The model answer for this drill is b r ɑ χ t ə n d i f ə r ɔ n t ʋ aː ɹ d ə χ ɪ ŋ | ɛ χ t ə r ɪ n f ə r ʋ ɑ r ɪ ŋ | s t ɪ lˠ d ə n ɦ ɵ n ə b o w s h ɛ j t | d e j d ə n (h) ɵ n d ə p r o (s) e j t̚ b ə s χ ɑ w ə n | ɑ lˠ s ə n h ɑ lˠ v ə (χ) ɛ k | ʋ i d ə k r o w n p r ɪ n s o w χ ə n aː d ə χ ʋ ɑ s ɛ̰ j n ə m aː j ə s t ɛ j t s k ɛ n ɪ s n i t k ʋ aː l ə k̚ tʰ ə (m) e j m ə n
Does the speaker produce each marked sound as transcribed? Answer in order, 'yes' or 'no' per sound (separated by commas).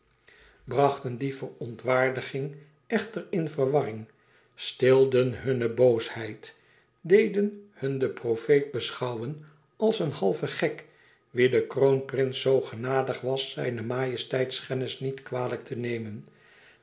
yes, no, yes, no